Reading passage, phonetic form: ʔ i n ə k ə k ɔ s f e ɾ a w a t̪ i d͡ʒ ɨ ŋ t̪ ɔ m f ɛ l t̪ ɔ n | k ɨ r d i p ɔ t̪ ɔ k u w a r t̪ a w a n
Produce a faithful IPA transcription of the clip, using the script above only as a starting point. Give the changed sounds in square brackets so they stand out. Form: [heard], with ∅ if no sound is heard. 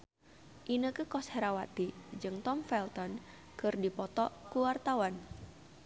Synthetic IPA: ʔ i n ə k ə k ɔ s [h] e ɾ a w a t̪ i d͡ʒ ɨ ŋ t̪ ɔ m f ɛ l t̪ ɔ n | k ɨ r d i p ɔ t̪ ɔ k u w a r t̪ a w a n